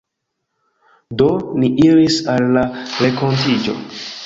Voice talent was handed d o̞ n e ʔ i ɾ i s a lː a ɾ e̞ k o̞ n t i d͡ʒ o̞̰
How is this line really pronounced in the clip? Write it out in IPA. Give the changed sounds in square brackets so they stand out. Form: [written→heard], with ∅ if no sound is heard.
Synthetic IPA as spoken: d o̞ n [e→i] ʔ i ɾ i s a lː a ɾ e̞ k o̞ n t i d͡ʒ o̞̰